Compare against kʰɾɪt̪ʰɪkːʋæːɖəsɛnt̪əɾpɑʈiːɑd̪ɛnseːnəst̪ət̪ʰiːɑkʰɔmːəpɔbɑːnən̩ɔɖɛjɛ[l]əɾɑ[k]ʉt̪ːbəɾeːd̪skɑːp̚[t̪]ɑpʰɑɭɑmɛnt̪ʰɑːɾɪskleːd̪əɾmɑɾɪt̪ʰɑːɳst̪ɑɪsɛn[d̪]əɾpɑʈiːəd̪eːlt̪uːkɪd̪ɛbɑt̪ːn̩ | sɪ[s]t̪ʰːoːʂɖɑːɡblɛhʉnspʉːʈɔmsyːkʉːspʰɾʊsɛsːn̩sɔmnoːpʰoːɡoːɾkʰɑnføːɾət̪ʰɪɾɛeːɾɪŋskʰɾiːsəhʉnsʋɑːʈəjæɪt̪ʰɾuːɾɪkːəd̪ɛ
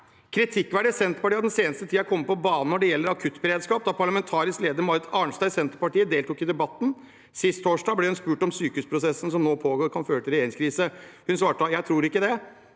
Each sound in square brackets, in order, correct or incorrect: incorrect: lː, incorrect: kʰ, incorrect: d̪, incorrect: t̪, correct

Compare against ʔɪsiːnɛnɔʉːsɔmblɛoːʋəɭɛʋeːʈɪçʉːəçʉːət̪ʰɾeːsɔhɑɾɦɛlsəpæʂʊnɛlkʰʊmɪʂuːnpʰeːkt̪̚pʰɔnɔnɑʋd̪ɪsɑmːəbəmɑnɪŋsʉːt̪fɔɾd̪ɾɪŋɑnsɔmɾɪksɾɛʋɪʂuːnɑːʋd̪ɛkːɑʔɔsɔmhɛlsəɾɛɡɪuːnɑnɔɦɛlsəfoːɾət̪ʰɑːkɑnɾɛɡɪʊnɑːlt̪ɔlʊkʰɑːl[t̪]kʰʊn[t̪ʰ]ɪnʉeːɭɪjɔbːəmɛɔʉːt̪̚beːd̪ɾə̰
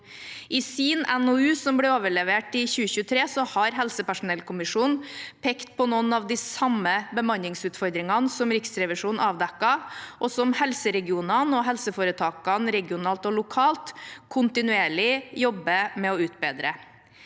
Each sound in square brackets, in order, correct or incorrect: correct, incorrect: t̪

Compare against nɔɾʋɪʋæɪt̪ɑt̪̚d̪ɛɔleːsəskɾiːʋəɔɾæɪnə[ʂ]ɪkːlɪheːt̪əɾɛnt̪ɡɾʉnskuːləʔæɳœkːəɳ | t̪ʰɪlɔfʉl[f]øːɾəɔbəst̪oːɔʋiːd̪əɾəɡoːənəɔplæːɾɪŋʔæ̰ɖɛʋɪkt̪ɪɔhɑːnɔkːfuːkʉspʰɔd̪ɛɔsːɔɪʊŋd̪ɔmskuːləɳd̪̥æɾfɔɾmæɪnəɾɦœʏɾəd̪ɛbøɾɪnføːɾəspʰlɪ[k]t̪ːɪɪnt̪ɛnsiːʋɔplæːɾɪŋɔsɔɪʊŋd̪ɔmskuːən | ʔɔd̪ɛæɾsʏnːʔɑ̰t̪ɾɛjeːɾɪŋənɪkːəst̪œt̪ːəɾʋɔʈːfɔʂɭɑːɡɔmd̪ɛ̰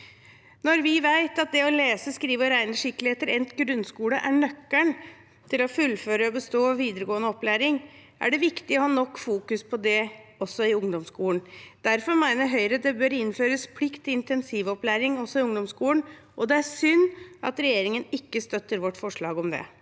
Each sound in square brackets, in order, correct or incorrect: correct, correct, correct

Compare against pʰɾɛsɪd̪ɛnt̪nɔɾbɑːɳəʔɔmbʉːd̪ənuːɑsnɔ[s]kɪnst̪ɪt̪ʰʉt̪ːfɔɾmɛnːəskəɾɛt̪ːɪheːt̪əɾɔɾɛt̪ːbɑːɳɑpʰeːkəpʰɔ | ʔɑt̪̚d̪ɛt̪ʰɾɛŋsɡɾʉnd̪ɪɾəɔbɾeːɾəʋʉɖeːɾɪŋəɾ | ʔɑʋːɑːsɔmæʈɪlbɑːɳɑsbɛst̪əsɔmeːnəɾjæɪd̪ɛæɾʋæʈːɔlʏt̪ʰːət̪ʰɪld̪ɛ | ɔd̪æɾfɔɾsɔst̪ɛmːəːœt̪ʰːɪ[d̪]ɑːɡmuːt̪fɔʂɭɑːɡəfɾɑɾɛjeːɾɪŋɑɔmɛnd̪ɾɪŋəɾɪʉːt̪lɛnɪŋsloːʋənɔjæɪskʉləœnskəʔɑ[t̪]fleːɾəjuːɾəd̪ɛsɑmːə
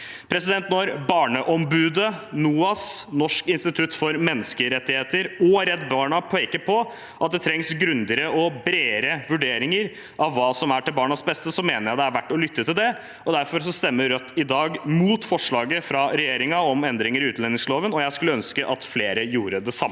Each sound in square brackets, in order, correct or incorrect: incorrect: ʂ, correct, correct

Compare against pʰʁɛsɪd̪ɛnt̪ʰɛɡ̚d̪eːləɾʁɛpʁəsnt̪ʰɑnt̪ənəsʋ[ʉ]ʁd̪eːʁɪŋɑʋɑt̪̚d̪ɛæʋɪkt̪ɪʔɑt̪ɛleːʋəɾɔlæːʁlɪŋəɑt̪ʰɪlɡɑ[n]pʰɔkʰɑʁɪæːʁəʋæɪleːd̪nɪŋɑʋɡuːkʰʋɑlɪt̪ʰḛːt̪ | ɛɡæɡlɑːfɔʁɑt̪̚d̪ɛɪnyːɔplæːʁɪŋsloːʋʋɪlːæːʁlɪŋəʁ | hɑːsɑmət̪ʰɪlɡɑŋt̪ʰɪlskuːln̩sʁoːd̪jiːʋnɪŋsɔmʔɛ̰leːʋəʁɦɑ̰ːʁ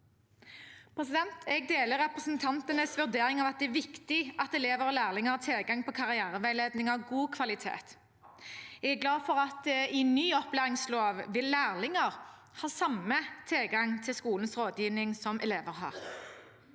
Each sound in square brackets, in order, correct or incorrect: correct, incorrect: ŋ

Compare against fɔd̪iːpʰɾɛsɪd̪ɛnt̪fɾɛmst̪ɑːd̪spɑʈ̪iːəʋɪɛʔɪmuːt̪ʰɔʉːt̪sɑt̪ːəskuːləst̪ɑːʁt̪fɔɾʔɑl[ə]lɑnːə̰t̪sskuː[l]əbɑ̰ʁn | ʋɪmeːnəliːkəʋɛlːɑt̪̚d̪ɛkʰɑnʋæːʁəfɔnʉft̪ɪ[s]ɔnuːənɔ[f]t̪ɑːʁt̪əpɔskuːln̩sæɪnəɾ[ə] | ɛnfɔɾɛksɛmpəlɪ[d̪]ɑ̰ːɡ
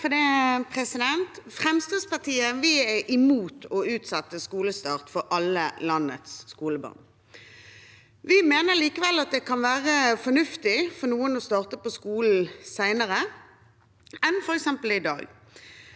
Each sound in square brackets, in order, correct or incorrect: correct, correct, incorrect: f, incorrect: s, correct, correct

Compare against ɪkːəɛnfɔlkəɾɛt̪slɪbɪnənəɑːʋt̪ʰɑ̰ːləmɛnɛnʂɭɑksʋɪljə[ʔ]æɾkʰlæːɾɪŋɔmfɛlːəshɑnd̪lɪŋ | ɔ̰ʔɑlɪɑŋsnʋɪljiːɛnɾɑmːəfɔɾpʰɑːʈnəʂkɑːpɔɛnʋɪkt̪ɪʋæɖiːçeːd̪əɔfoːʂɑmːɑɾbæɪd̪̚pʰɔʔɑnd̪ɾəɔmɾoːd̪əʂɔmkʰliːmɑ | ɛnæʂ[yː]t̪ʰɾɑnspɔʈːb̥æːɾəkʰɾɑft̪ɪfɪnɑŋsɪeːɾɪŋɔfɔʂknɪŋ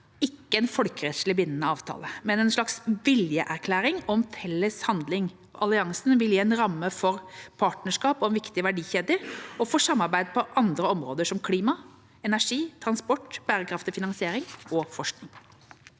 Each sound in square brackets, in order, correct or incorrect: correct, incorrect: iː

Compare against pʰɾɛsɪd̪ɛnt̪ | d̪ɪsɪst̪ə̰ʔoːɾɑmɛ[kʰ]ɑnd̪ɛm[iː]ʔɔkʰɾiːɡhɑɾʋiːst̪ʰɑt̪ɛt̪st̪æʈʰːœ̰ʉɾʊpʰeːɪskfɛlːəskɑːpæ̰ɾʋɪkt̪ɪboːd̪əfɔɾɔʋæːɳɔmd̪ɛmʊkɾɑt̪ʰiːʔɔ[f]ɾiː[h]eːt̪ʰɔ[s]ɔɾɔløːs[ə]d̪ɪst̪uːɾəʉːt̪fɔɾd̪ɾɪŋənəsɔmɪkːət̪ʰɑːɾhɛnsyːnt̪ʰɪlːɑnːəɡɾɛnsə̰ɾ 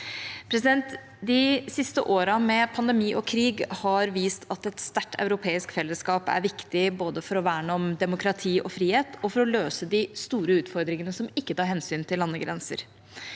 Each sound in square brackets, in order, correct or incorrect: incorrect: pʰ, correct, correct, correct, incorrect: f, correct

